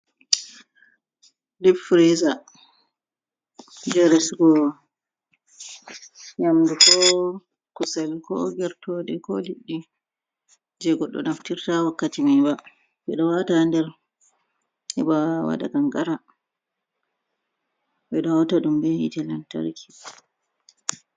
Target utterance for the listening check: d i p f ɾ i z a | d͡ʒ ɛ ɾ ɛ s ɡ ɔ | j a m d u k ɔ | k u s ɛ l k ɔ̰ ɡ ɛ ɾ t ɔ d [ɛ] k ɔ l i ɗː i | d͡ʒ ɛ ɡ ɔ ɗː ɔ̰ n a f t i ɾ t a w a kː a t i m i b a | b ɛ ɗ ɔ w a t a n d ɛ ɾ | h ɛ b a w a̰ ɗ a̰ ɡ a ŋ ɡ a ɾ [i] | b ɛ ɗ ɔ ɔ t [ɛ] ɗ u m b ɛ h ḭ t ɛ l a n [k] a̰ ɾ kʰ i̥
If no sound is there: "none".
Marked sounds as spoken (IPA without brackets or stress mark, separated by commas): ɛ, a, a, t